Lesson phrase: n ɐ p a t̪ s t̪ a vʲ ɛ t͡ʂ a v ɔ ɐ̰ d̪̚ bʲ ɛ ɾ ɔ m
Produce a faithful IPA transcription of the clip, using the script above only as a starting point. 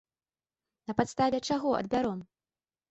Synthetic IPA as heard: n ɐ p a t̪ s t̪ a vʲ ɛ t͡ʂ a ɣ ɔ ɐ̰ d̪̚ bʲ a ɾ ɔ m